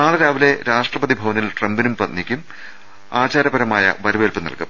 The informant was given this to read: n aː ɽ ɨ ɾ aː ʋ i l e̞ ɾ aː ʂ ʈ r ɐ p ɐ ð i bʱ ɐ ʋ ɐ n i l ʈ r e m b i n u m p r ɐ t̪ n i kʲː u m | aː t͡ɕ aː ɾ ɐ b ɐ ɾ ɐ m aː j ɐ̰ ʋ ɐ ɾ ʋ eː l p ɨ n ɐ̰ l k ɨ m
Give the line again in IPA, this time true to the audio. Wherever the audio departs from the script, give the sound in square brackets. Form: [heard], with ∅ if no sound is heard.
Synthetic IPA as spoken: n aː [ɭ] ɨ ɾ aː ʋ i l e̞ ɾ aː ʂ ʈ r ɐ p ɐ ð i bʱ ɐ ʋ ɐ n i l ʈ r e m b i n u m p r ɐ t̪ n i kʲː u m | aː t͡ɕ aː ɾ ɐ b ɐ ɾ ɐ m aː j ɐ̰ ʋ ɐ ɾ ʋ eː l p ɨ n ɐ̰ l k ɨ m